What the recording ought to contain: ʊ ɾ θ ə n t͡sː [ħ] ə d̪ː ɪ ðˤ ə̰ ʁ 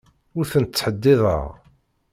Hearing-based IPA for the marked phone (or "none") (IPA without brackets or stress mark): ħ